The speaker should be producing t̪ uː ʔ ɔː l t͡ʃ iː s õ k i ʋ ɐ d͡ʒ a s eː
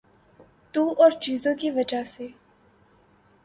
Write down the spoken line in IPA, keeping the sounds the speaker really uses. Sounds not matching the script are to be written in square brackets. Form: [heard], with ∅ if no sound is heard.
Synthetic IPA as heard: t̪ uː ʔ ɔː [ɾ] t͡ʃ iː [z] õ k i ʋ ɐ d͡ʒ a s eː